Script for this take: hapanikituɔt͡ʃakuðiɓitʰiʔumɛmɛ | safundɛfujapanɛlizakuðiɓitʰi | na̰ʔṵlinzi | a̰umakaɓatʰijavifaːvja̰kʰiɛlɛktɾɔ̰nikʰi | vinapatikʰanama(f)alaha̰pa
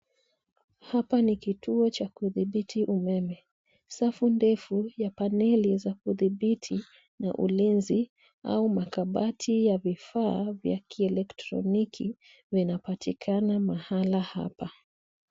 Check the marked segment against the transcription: incorrect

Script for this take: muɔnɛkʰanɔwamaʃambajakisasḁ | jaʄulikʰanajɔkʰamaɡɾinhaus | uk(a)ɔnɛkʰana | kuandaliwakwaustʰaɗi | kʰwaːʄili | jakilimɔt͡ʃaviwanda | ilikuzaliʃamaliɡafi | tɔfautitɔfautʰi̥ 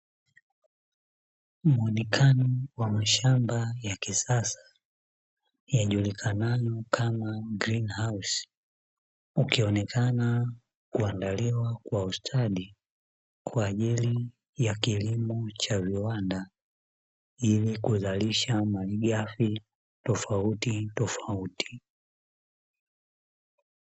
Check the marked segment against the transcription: incorrect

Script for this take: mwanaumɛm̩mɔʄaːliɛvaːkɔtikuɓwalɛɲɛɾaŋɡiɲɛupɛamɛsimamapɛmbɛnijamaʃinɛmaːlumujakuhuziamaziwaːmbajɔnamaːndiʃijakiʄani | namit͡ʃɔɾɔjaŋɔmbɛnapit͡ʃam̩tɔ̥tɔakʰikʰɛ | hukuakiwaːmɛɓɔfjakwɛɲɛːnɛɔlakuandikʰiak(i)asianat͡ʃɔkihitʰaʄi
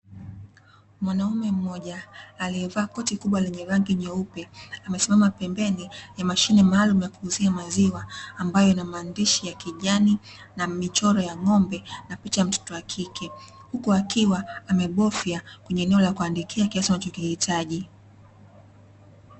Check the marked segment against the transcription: correct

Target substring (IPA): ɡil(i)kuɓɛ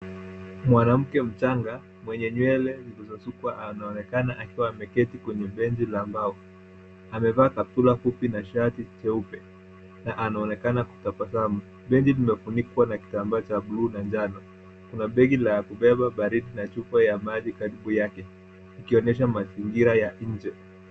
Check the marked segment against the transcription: incorrect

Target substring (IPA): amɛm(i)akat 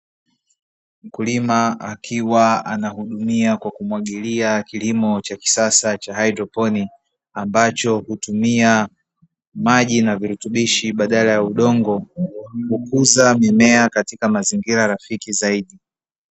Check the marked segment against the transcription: incorrect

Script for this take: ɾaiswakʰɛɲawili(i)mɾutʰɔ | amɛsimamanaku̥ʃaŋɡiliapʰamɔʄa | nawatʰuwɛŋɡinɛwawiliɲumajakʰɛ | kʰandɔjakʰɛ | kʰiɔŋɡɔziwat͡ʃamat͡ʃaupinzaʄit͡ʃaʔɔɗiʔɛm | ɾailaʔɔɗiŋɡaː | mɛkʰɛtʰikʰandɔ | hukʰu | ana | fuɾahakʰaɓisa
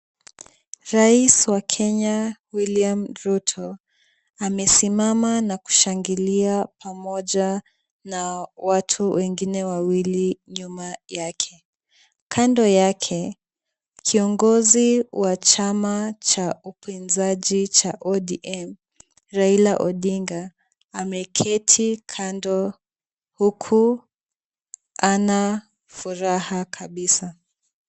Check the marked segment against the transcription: incorrect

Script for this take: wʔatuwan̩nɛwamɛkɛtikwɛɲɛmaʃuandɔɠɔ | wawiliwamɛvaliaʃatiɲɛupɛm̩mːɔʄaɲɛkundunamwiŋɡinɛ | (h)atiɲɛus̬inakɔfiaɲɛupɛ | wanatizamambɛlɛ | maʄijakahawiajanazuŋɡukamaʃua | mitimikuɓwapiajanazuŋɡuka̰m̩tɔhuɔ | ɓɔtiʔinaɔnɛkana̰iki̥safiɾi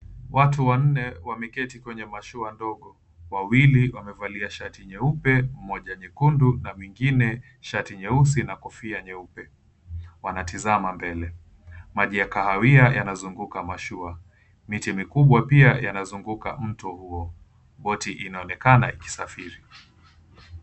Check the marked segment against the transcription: incorrect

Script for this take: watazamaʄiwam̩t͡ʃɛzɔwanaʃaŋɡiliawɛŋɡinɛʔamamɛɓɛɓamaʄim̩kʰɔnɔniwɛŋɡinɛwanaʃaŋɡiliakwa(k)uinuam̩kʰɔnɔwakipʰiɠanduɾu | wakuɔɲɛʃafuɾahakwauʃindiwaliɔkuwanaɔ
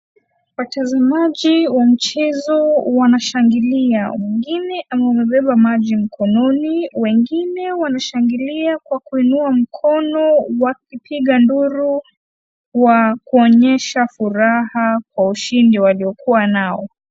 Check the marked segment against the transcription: correct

